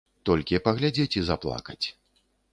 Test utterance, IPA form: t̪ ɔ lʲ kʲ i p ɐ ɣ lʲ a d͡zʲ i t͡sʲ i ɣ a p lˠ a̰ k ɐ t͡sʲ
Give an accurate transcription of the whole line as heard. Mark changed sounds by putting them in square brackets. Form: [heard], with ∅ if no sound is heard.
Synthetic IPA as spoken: t̪ ɔ lʲ kʲ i p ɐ ɣ lʲ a d͡zʲ [e] t͡sʲ i [z] a p lˠ a̰ k ɐ t͡sʲ